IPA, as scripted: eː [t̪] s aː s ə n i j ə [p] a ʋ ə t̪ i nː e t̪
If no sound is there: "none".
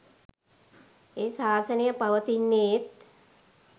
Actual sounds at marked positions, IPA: none, p

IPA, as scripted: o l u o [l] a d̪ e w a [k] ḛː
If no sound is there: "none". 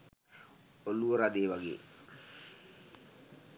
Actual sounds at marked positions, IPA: ɾ, ɡ

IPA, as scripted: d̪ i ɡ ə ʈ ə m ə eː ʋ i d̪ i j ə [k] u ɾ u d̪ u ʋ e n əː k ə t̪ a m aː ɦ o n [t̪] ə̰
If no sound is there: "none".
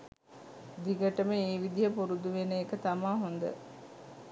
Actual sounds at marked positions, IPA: p, d̪

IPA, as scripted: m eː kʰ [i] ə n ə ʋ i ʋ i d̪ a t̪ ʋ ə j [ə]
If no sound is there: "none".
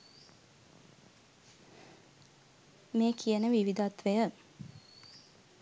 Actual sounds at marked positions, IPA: i, ə

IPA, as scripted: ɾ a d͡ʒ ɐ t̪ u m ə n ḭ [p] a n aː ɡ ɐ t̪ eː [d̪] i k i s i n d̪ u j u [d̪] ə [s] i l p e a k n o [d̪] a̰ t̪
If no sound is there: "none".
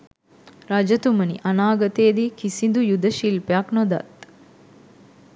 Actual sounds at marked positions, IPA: ʔ, d̪, d̪, ʃ, d̪

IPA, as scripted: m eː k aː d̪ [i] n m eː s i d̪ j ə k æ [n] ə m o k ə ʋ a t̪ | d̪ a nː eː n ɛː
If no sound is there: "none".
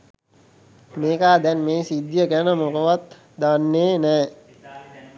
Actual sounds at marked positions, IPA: ɛ, n

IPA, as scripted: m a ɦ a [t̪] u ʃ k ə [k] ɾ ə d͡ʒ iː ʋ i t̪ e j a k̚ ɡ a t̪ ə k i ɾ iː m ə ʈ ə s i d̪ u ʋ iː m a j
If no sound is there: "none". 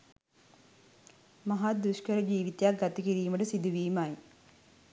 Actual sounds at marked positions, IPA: d̪, none

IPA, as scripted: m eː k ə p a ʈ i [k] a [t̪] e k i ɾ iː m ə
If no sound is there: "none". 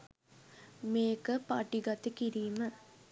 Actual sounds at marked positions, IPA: ɡ, t̪

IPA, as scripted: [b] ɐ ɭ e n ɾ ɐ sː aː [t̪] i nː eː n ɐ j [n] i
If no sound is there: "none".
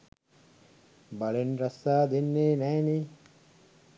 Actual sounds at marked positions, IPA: b, d̪, n

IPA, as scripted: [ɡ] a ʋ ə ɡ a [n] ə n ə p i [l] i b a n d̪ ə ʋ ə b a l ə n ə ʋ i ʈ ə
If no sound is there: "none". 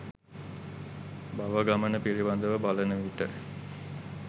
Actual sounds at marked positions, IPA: b, m, ɾ

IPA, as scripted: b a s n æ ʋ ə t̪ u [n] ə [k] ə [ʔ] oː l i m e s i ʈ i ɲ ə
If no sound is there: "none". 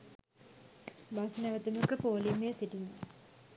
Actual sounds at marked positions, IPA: m, k, p

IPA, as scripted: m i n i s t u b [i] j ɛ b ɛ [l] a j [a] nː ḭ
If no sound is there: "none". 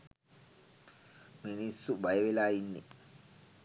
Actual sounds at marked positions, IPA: a, l, i

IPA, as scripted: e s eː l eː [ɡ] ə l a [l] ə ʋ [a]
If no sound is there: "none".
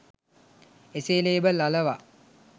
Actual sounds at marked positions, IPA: b, l, a

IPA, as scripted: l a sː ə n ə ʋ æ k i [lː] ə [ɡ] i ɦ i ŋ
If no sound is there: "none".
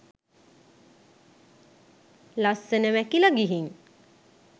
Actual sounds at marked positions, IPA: l, ɡ

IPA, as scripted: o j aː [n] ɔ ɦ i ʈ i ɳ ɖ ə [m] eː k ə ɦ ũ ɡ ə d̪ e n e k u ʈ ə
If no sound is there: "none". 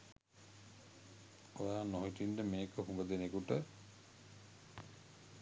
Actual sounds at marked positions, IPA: n, m

